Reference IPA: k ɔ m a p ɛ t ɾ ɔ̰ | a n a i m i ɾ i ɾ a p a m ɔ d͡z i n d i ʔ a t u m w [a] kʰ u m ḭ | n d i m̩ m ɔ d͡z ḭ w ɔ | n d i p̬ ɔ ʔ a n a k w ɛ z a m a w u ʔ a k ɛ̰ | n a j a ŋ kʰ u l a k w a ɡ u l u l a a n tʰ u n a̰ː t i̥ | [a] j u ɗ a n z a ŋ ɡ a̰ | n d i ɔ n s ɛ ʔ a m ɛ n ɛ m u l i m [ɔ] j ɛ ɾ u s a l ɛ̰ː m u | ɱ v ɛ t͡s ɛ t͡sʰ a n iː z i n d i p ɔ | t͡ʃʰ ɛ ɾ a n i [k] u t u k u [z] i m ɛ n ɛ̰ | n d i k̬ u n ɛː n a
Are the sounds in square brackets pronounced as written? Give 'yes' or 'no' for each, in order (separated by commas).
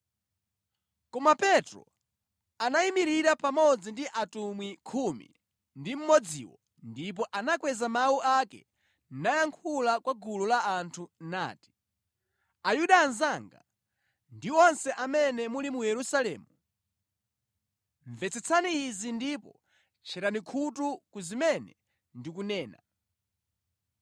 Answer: no, yes, no, no, yes